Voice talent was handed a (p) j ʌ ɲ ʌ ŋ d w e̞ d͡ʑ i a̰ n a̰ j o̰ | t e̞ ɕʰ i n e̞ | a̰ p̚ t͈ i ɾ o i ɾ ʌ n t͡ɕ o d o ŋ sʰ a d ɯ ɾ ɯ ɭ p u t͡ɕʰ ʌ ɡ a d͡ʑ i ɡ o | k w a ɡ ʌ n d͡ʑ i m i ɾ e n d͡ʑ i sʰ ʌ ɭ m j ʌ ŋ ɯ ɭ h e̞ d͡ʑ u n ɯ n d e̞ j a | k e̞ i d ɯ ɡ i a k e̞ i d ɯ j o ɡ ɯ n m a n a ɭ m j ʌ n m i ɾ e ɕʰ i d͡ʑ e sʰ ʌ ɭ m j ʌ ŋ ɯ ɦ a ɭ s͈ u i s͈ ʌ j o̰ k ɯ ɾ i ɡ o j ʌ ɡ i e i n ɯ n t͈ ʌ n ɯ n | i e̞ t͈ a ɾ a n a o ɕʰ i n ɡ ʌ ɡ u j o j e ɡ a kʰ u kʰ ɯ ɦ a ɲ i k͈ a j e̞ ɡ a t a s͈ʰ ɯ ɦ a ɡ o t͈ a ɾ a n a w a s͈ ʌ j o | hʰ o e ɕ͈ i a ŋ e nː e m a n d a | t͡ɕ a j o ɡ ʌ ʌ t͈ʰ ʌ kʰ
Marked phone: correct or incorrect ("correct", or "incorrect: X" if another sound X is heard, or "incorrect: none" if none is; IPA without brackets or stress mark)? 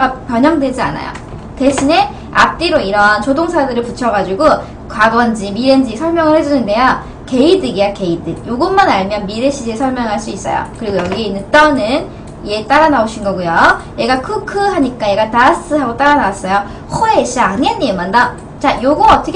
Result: correct